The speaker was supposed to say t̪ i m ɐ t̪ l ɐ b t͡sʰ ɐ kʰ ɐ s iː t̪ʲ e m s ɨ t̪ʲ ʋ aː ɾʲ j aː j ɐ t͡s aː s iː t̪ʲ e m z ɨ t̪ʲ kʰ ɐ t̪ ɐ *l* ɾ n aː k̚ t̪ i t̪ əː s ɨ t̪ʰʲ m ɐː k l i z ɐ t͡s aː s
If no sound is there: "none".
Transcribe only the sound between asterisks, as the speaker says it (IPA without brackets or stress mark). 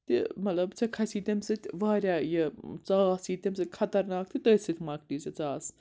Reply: none